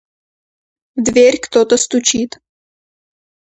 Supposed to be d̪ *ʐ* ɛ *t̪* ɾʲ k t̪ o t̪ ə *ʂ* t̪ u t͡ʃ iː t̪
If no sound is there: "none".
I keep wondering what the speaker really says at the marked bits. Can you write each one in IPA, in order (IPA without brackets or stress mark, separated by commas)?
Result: v, none, s